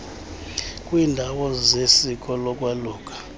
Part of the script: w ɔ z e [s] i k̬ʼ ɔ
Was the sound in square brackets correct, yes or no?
yes